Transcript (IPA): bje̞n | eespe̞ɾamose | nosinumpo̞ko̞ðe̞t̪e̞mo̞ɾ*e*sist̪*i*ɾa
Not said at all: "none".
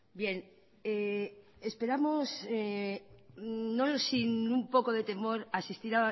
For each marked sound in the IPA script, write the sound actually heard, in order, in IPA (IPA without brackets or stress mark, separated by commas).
a, i